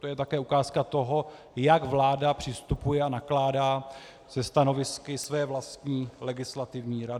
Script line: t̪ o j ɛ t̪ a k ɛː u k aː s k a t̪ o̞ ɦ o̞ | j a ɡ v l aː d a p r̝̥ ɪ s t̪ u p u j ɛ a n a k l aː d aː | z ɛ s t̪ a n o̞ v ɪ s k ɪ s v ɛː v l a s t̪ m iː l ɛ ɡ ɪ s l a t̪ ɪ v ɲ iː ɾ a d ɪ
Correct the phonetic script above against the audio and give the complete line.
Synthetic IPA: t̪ o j ɛ t̪ a k ɛː u k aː s k a t̪ o̞ ɦ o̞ | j a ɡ v l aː d a p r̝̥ ɪ s t̪ u p u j ɛ a n a k l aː d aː | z ɛ s t̪ a n o̞ v ɪ s k ɪ s v ɛː v l a s t̪ ɲ iː l ɛ ɡ ɪ s l a t̪ ɪ v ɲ iː ɾ a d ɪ